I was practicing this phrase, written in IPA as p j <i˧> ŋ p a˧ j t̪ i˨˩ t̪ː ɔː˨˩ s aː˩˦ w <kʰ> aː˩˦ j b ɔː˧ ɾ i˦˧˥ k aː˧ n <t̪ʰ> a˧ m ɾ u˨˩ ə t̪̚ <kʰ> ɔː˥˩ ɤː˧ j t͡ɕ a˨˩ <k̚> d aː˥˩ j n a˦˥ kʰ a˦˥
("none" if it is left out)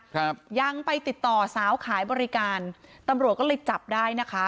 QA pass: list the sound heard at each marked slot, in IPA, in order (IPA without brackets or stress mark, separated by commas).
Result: a˧, kʰ, t̪, k, p̚